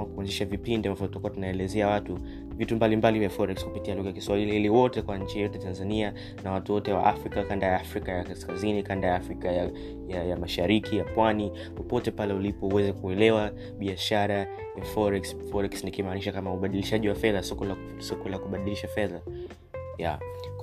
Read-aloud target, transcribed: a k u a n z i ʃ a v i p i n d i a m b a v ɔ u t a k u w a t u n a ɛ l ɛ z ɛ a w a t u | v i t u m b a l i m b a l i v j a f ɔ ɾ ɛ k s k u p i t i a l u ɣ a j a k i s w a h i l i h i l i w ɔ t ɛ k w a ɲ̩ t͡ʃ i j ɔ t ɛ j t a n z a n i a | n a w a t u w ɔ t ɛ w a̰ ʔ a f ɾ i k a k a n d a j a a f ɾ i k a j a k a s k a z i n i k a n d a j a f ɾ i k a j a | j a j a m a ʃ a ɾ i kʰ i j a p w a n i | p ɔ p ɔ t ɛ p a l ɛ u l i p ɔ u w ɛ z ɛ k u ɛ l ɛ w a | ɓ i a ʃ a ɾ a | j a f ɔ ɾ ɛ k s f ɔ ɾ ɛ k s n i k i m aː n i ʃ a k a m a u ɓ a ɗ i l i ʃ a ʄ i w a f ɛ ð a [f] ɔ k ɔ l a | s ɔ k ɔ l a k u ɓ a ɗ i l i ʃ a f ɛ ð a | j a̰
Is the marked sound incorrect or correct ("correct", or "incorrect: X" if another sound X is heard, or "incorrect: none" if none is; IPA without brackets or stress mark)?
incorrect: s